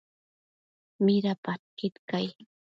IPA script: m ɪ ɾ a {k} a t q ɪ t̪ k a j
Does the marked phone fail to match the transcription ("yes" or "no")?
yes